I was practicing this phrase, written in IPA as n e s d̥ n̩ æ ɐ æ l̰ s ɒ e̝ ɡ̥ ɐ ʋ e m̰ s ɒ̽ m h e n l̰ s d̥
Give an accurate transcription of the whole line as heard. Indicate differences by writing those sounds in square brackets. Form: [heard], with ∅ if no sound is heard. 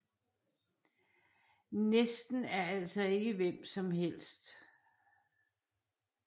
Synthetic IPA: n e s d̥ n̩ æ ɐ æ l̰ s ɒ e̝ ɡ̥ [ə] ʋ e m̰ s ɒ̽ m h e [∅] l̰ s d̥